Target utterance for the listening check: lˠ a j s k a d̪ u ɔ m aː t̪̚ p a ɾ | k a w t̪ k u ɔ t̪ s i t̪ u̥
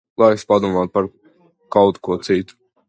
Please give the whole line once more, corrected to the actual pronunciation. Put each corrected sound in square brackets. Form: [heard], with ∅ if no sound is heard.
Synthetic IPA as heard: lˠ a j s [p] a d̪ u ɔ m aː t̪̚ p a ɾ | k a w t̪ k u ɔ t̪ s i t̪ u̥